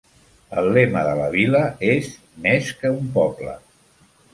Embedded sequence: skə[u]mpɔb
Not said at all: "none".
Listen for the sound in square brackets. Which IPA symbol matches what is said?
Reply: u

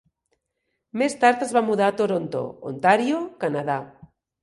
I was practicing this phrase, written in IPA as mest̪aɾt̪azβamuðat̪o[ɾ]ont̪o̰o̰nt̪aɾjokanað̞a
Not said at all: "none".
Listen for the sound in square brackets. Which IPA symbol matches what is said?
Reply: ɾ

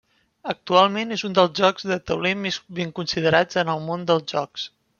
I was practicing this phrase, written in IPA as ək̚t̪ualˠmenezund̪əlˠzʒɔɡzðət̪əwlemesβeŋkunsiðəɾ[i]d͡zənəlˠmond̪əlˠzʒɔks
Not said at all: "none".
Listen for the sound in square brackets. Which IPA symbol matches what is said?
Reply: a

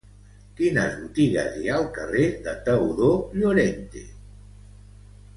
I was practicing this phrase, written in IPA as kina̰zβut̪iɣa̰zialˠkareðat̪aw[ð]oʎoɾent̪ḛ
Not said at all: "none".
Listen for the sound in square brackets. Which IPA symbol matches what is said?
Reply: ð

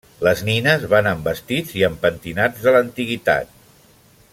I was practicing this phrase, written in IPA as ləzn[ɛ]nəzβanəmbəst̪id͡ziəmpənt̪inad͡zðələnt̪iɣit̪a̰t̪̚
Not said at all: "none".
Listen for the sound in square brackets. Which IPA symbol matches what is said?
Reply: i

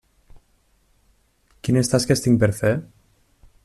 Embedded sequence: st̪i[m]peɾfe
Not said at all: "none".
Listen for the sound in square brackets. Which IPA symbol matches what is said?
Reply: ŋ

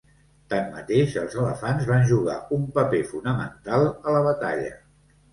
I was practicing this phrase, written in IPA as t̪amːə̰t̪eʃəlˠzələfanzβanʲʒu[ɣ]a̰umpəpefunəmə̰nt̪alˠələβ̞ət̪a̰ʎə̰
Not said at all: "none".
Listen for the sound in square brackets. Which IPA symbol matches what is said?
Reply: ɣ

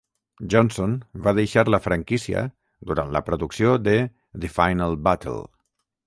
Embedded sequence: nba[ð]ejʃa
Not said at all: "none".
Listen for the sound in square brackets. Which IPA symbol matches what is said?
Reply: ð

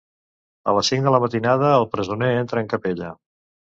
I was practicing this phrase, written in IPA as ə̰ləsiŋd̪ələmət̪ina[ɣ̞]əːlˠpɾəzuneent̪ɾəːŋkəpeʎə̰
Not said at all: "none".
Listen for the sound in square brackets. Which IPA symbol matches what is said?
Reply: ð̞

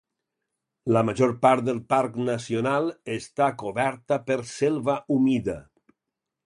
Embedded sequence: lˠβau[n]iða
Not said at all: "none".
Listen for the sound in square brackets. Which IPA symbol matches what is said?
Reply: m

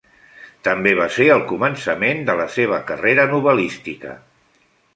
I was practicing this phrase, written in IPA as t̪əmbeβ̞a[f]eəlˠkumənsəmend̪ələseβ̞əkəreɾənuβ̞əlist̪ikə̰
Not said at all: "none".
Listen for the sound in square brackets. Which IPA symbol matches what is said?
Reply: s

